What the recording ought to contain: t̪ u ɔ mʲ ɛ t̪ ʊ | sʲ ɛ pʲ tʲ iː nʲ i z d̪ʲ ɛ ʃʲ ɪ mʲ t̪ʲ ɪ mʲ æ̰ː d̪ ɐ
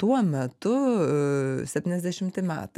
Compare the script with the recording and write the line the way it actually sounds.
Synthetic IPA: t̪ u ɔ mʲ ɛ t̪ ʊ | sʲ ɛ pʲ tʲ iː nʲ ɛ z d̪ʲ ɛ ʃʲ ɪ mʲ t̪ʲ ɪ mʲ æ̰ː t̪ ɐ